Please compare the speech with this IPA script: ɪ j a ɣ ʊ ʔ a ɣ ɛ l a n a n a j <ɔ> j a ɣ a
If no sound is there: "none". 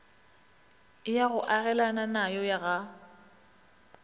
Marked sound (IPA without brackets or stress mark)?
ɔ